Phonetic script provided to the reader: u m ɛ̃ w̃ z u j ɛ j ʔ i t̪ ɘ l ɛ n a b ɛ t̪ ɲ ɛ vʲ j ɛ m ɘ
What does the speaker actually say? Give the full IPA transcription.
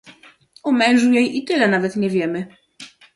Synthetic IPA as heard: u m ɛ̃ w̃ ʐ u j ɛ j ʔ i t̪ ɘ l ɛ n a v ɛ t̪ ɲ ɛ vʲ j ɛ m ɘ